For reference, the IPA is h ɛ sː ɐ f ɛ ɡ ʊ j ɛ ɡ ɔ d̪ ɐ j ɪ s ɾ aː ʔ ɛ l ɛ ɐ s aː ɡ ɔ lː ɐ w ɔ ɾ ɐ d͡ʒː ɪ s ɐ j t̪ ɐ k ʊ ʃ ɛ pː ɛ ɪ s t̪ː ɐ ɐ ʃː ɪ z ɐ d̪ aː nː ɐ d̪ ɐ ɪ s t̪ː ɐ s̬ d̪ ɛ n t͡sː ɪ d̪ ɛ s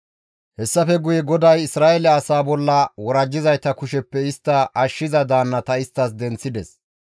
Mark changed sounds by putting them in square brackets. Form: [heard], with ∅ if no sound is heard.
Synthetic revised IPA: h ɛ sː ɐ f ɛ ɡ ʊ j ɛ ɡ ɔ d̪ ɐ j ɪ s ɾ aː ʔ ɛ l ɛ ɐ s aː [b] ɔ lː ɐ w ɔ ɾ ɐ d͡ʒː ɪ [z] ɐ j t̪ ɐ k ʊ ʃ ɛ pː ɛ ɪ s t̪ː ɐ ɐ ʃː ɪ z ɐ d̪ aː nː ɐ [t̪] ɐ ɪ s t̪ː ɐ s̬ d̪ ɛ n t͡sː ɪ d̪ ɛ s